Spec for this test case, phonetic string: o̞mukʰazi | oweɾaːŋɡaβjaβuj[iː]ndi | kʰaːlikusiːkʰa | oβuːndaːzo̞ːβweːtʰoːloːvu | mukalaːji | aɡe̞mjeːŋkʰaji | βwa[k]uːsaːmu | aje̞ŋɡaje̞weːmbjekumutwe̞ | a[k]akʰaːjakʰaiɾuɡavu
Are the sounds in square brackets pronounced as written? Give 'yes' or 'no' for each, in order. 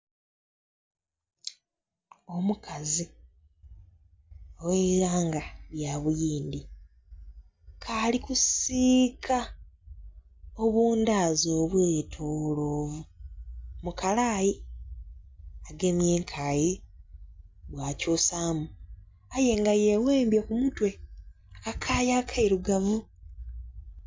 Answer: yes, no, yes

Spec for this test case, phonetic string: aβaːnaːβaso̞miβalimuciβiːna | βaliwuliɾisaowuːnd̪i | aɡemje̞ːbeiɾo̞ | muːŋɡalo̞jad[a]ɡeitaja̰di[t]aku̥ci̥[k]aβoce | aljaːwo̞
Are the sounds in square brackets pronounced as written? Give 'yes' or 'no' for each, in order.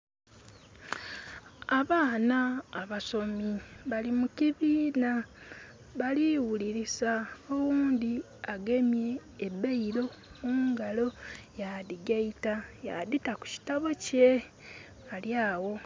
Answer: no, yes, no

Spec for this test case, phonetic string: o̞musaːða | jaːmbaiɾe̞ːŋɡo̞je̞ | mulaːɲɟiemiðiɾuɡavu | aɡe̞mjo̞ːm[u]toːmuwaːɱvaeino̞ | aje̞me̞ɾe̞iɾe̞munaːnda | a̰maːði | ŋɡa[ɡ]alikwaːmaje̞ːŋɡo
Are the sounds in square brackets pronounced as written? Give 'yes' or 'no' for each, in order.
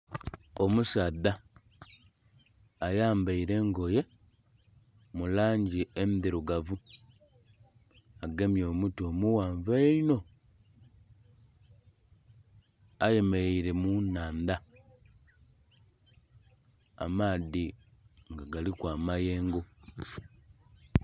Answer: yes, yes

